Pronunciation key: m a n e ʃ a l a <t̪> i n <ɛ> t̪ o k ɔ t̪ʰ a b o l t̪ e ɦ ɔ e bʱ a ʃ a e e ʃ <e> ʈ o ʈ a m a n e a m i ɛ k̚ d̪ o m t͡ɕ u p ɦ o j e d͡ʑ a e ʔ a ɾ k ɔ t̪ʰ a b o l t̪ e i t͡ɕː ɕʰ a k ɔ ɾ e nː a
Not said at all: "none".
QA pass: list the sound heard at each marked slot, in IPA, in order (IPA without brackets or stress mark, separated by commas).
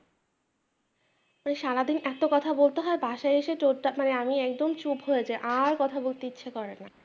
d̪, ɛ, e